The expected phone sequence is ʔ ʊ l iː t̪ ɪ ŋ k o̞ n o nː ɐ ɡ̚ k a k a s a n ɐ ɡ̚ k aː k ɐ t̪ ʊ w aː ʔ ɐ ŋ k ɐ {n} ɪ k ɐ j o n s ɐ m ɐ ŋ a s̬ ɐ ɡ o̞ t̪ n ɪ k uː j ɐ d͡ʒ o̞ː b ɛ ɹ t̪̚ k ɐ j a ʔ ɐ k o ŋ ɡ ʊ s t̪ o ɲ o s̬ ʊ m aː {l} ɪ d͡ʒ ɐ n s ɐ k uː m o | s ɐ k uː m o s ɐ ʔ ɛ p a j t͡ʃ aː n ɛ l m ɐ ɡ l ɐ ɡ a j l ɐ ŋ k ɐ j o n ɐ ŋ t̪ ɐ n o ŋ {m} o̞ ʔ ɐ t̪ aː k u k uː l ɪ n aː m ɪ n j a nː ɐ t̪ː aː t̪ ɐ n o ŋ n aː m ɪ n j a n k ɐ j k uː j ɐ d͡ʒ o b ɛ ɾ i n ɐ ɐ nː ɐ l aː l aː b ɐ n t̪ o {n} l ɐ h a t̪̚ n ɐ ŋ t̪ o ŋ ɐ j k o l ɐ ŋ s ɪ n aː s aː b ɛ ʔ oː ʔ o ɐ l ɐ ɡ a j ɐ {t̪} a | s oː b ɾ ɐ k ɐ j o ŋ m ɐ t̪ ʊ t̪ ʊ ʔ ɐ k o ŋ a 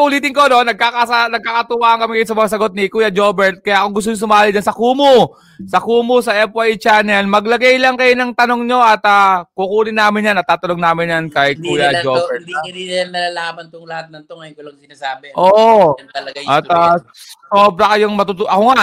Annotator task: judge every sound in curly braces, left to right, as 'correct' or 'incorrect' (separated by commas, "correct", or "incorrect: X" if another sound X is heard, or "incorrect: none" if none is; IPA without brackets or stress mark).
incorrect: m, correct, incorrect: ɲ, incorrect: ŋ, correct